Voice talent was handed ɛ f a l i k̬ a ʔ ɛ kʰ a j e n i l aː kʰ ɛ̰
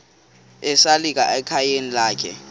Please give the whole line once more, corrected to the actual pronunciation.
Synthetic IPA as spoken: ɛ s a l i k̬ a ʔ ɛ kʰ a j e n i l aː kʰ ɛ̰